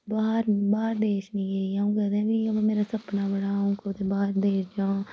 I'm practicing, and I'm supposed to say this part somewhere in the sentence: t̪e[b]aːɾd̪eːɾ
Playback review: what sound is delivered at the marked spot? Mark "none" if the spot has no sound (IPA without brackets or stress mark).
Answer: b